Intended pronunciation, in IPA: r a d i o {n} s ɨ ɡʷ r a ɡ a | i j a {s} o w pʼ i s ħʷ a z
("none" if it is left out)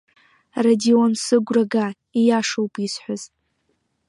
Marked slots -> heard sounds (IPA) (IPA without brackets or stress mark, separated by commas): n, ʂ